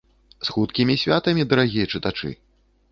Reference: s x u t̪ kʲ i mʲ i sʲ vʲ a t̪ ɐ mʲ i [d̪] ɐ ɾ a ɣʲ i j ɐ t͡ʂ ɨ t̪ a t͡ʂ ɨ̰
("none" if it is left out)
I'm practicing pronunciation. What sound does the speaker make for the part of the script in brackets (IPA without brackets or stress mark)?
d̪